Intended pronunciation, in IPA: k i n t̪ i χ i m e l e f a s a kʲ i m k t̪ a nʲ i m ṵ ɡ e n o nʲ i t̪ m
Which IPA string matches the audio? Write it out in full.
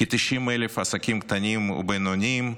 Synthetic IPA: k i t̪ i ʃ i m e l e f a s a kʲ i m k t̪ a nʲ i m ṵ b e n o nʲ i m